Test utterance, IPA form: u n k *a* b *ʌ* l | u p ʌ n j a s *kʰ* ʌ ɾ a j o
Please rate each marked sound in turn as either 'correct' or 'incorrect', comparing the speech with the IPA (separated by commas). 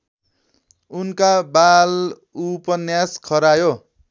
correct, incorrect, correct